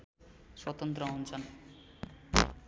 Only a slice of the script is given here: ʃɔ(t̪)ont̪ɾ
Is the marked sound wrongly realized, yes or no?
no